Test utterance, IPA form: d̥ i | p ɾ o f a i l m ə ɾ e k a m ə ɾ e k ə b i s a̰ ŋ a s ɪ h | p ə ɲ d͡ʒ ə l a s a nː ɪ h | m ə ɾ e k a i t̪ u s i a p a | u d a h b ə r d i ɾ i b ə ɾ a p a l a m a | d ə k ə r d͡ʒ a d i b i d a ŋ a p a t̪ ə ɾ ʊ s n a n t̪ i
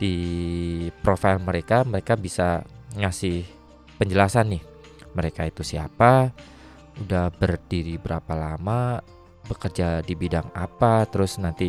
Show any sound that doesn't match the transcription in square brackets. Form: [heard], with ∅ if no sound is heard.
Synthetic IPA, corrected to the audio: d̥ i | p ɾ o f a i l m ə ɾ e k a m ə ɾ e k [a] b i s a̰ ŋ a s ɪ h | p ə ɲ d͡ʒ ə l a s a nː ɪ h | m ə ɾ e k a i t̪ u s i a p a | u d a h b ə r d i ɾ i b ə ɾ a p a l a m a | [b] ə k ə r d͡ʒ a d i b i d a ŋ a p a t̪ ə ɾ ʊ s n a n t̪ i